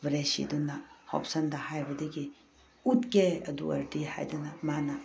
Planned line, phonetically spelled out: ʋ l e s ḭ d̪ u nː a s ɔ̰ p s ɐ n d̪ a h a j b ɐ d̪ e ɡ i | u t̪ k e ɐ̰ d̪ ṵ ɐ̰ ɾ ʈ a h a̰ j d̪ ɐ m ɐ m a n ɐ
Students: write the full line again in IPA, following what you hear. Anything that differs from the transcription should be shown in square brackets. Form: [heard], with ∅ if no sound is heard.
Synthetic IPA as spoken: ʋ [ɾ] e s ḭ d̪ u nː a [h] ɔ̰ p s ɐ n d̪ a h a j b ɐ d̪ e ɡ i | u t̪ k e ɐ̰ d̪ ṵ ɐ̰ ɾ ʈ [i] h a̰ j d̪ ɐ [n] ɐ m a n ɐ